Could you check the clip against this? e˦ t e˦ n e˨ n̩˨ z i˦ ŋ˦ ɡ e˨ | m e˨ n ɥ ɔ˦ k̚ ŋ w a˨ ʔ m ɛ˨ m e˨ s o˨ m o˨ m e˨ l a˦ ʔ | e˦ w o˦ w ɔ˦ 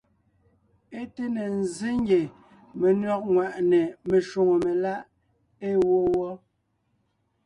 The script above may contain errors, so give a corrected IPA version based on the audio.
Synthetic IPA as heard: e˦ t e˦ n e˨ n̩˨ z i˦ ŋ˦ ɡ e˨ | m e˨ n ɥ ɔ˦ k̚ ŋ w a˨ ʔ n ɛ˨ m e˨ ʃ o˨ ŋ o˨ m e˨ l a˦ ʔ | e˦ w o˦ w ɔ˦